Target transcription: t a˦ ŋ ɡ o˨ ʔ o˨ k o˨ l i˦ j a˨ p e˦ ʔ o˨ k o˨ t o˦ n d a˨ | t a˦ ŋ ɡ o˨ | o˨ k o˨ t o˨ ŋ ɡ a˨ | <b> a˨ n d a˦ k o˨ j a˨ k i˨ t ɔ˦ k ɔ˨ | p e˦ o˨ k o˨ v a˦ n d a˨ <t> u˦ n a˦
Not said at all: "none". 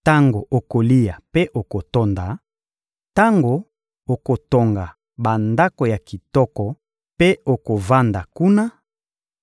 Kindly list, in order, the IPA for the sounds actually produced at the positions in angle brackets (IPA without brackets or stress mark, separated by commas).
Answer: b, k